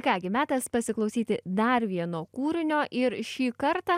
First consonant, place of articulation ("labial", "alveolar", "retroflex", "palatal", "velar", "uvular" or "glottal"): velar